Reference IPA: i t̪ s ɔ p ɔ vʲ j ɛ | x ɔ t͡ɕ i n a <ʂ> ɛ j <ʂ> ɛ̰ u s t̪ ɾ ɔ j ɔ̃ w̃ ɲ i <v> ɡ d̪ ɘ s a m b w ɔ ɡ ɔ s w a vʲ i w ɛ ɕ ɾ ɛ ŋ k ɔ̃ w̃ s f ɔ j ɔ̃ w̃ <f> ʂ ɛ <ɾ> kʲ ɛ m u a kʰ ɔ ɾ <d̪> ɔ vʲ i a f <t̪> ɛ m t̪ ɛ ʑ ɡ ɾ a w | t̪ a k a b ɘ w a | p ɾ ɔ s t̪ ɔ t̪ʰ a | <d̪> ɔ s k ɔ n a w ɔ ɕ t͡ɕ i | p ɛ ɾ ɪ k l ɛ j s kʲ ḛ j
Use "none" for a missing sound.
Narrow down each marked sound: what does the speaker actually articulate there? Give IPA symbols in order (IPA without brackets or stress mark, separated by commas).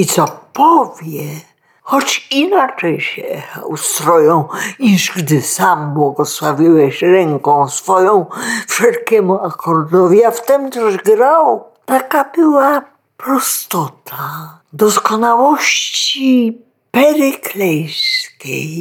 t͡ʂ, ɕ, ʐ, f, l, d̪, t̪, d̪